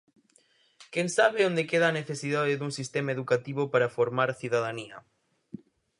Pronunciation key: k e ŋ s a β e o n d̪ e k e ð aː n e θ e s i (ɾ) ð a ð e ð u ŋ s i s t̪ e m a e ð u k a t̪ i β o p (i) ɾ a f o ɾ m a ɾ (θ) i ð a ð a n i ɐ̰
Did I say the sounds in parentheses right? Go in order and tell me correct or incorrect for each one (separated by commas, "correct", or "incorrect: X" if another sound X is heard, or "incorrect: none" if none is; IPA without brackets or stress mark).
incorrect: none, incorrect: a, correct